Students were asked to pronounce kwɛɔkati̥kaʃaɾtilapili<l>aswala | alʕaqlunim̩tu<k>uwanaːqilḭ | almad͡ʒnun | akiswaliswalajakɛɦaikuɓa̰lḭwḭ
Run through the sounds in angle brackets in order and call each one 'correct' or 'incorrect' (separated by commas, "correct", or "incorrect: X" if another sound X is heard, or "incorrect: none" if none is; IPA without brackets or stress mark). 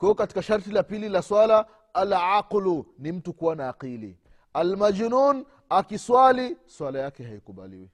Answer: correct, correct